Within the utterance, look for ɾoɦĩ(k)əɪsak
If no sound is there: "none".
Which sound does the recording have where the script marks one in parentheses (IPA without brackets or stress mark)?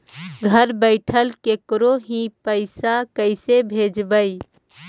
p